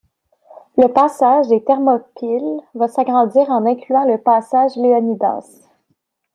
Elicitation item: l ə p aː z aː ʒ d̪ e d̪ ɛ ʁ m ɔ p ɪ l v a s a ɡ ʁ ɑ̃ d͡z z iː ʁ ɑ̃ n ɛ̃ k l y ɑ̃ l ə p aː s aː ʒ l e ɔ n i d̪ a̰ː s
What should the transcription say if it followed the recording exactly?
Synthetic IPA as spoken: l ə p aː s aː ʒ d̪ e t̪ ɛ ʁ m ɔ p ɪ l v a s a ɡ ʁ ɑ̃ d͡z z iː ʁ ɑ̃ n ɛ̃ k l y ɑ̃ l ə p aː s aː ʒ l e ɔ n i d̪ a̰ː s